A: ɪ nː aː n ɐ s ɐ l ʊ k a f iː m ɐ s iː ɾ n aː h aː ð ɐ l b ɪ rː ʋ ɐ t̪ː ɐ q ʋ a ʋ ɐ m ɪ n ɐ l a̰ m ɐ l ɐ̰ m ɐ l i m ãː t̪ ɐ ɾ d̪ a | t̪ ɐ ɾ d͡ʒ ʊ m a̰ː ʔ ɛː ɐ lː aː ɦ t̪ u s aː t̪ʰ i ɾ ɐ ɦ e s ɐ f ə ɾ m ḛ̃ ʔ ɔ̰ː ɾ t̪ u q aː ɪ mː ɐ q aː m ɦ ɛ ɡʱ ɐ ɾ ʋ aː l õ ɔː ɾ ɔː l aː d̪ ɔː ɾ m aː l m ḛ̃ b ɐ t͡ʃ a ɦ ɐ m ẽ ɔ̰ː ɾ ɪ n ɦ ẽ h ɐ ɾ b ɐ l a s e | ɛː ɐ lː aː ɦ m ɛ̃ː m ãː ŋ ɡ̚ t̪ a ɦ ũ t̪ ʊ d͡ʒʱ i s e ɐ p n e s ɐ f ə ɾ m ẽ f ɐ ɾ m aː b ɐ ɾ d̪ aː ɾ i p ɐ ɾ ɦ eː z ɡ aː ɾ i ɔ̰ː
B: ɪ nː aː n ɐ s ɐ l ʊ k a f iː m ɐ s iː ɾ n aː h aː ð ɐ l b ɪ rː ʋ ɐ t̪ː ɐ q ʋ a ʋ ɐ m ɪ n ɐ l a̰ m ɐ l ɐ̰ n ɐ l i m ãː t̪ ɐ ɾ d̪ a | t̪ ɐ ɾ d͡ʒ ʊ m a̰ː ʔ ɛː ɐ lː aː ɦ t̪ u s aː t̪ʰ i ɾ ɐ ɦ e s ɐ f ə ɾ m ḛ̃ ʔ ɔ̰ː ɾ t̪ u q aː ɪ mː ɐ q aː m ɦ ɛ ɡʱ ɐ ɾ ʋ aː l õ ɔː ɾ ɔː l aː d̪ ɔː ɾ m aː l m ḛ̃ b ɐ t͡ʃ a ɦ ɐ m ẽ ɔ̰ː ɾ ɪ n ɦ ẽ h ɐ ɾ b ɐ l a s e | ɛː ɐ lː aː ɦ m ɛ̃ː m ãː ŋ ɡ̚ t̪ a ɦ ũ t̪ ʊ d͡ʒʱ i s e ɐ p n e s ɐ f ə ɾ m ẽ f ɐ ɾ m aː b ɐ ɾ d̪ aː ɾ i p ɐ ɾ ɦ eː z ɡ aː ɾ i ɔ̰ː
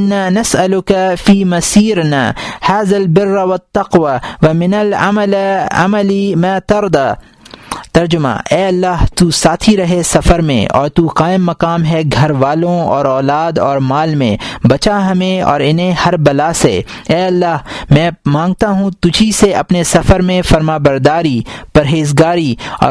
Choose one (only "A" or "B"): A